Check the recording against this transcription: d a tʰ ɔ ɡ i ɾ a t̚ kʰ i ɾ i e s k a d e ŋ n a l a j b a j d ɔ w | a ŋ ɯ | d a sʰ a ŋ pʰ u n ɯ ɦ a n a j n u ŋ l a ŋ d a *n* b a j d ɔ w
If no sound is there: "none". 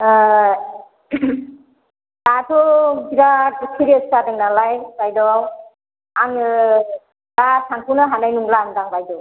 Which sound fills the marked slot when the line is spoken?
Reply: ŋ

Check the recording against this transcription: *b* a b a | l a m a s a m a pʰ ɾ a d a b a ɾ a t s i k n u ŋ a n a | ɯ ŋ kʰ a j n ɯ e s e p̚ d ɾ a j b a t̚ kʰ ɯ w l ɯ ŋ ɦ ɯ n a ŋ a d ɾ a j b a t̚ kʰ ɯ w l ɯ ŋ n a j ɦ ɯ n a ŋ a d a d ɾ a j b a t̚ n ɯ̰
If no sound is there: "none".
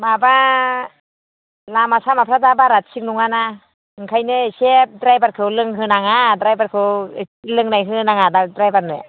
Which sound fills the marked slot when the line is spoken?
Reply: m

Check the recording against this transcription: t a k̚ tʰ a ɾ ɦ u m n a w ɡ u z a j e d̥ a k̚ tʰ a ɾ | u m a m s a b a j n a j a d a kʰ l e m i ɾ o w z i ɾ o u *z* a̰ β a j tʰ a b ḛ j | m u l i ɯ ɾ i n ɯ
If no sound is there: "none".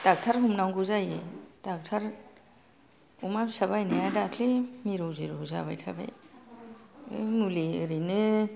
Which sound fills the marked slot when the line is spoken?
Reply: z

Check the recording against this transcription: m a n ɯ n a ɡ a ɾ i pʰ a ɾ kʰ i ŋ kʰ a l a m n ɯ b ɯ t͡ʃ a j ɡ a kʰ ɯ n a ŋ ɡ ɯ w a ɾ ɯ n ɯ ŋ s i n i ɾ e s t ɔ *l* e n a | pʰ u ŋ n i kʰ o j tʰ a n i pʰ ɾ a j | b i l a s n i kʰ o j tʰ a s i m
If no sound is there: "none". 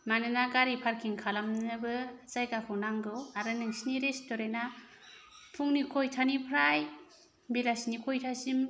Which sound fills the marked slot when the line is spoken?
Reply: ɾ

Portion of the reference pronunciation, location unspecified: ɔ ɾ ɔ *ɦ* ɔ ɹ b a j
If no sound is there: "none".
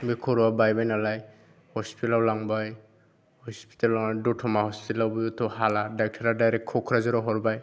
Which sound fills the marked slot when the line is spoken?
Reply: ɦ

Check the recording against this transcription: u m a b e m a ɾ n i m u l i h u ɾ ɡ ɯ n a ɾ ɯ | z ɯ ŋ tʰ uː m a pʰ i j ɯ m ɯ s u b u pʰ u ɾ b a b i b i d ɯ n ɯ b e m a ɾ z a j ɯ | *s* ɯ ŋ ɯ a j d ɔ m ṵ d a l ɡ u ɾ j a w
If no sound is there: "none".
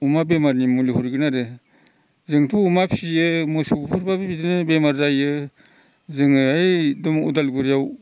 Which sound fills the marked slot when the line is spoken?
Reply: z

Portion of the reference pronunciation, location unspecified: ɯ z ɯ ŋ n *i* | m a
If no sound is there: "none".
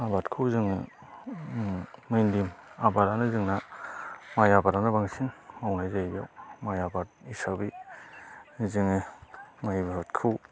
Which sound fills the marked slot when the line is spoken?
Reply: a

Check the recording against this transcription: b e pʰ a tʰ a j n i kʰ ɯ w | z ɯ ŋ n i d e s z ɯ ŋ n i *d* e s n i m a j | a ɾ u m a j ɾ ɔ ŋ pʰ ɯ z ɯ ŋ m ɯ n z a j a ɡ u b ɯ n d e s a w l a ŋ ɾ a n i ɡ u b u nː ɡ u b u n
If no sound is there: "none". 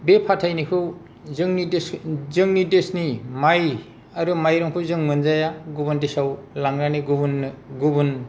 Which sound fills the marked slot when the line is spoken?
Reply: d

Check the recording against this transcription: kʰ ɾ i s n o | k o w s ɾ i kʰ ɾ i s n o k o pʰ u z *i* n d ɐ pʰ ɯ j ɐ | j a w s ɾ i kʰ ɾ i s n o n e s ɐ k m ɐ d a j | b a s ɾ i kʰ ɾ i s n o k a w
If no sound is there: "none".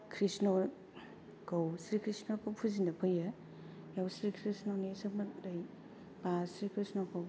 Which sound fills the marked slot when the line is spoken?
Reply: i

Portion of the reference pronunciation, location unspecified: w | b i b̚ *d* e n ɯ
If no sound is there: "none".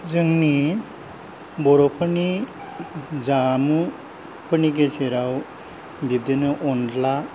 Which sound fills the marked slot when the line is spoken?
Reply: d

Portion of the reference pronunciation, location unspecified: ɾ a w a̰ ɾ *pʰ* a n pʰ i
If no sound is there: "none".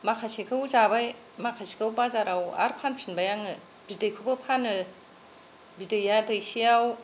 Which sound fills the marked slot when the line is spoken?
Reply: pʰ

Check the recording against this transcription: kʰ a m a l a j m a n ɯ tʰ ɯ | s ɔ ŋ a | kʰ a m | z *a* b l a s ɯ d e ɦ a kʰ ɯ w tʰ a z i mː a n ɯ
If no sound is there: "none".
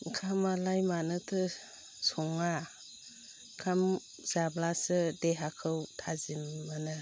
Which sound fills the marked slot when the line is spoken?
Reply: a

